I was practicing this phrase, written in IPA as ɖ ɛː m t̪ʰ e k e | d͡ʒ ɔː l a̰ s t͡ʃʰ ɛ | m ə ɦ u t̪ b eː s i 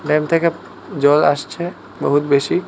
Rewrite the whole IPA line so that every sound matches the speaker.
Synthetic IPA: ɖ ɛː m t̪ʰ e k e | d͡ʒ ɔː l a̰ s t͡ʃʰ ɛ | b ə ɦ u t̪ b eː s i